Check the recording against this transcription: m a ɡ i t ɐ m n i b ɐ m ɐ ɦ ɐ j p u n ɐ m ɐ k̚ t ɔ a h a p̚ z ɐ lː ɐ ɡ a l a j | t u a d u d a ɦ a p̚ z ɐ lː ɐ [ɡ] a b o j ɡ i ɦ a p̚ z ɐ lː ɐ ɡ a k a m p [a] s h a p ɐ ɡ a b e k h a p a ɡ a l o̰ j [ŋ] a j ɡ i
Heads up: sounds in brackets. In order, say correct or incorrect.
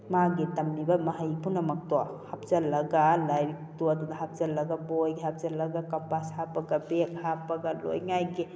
correct, correct, correct

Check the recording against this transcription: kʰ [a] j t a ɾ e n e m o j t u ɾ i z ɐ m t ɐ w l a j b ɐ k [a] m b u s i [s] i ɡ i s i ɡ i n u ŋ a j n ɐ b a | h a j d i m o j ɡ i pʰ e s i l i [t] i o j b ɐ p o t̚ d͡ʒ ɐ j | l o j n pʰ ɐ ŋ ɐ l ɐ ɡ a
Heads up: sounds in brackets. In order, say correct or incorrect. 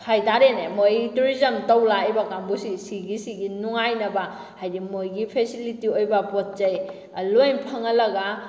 correct, correct, correct, correct

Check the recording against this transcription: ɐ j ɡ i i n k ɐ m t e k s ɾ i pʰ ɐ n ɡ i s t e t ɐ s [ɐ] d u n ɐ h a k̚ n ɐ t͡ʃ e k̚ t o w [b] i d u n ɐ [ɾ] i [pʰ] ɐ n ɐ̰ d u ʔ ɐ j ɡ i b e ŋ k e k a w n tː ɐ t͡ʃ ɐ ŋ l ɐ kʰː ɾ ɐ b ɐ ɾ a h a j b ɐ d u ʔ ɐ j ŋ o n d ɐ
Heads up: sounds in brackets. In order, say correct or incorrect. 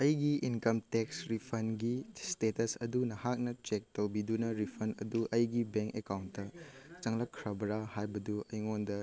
correct, correct, correct, correct

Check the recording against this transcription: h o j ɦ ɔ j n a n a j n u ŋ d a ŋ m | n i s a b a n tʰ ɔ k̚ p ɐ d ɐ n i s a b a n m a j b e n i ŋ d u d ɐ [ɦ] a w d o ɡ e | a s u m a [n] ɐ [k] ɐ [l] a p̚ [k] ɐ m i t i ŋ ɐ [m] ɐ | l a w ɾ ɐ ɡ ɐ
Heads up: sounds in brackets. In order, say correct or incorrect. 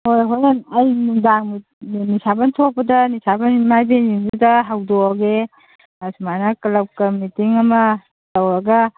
correct, correct, correct, correct, correct, correct

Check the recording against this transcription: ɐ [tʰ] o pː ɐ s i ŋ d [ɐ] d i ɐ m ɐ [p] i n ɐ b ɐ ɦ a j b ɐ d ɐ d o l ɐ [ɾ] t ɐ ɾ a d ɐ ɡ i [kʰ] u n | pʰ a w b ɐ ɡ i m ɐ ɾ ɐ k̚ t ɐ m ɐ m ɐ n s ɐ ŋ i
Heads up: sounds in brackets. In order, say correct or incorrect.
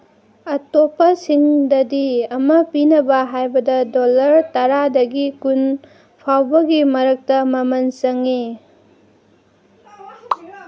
incorrect: t, correct, correct, correct, incorrect: k

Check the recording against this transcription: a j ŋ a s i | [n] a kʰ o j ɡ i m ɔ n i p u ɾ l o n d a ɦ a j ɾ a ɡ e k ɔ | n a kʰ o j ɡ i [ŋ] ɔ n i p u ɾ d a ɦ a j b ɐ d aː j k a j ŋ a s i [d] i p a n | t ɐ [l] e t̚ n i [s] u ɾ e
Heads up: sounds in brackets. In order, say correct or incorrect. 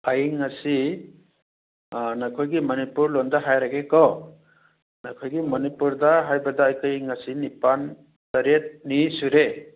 correct, incorrect: m, incorrect: n, incorrect: ɾ, correct

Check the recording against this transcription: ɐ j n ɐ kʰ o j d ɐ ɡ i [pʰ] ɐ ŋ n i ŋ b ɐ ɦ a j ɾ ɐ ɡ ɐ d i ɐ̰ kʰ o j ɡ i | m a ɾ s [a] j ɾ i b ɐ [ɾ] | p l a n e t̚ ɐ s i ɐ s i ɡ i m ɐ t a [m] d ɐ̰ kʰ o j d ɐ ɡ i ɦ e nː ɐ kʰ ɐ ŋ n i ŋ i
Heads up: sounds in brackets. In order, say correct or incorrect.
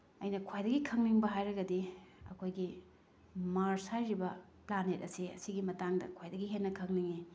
incorrect: kʰ, correct, incorrect: none, incorrect: ŋ

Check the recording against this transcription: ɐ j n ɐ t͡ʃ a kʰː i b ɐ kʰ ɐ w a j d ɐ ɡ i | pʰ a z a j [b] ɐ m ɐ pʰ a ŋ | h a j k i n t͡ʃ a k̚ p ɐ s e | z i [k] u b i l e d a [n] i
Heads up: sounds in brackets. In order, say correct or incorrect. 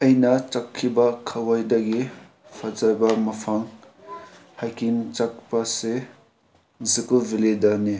correct, correct, correct

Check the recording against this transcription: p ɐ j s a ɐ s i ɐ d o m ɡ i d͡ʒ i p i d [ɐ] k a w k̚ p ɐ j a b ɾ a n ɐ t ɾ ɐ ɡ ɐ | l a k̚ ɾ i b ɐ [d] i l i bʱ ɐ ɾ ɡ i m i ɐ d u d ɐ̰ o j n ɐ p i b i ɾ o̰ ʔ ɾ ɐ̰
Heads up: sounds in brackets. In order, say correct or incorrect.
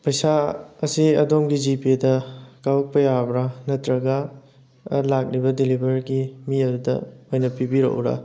correct, correct

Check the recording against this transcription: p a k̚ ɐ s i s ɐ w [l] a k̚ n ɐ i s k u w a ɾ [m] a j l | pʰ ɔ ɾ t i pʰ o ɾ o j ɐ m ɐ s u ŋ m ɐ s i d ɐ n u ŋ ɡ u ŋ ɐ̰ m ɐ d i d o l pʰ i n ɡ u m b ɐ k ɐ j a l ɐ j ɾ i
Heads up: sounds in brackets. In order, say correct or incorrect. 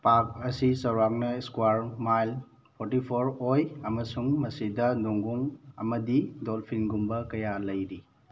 incorrect: ɾ, correct

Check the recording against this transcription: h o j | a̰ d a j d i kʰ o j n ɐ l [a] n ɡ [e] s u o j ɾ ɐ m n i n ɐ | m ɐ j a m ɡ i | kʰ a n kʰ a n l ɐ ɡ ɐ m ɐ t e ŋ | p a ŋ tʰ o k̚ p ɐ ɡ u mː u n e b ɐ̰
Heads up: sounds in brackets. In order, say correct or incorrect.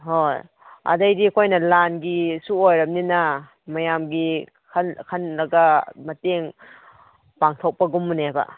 correct, incorrect: i

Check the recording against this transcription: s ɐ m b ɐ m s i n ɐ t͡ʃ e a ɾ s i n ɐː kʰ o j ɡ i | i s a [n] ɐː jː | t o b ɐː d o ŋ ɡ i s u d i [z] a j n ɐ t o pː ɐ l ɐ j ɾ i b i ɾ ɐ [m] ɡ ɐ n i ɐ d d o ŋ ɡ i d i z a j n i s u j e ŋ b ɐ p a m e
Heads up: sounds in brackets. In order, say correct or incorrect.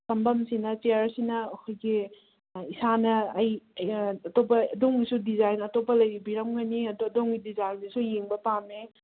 correct, correct, correct

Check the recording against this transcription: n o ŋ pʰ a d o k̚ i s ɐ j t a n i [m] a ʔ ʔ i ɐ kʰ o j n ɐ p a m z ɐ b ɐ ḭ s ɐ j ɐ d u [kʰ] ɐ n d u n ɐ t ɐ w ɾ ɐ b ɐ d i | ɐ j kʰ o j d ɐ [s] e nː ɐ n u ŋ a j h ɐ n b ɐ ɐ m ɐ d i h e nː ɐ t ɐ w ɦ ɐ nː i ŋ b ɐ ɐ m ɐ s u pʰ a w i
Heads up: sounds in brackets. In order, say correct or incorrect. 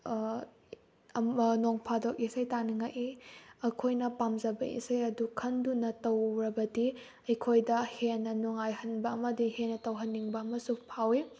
incorrect: ŋ, correct, incorrect: h

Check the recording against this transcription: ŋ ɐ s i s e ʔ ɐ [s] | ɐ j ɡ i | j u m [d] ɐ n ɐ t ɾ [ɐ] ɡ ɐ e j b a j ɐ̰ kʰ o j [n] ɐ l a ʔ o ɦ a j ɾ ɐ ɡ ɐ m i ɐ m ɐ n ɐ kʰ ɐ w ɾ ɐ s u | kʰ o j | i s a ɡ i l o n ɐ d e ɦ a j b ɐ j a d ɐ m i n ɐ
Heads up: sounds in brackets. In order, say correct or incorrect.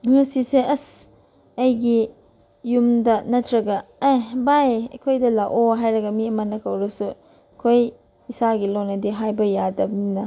correct, correct, correct, incorrect: d

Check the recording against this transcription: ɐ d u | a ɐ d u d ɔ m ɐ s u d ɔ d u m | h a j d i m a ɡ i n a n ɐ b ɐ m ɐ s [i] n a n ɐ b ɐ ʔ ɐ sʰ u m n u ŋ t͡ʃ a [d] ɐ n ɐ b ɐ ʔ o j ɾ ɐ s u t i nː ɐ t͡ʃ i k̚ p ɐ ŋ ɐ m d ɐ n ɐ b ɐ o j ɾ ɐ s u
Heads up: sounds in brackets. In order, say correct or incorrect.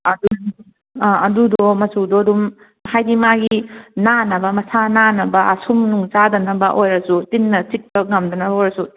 incorrect: a, correct

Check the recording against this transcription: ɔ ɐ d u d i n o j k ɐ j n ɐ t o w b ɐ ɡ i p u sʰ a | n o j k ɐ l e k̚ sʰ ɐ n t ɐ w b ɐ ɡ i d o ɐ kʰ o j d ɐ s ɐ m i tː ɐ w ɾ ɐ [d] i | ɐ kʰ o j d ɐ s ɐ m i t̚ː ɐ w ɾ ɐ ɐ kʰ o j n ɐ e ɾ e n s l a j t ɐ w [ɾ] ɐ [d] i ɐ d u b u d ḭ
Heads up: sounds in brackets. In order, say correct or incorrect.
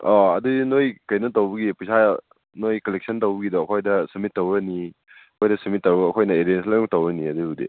incorrect: n, correct, incorrect: n

